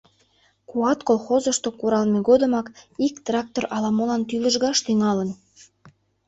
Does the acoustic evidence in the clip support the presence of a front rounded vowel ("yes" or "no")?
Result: yes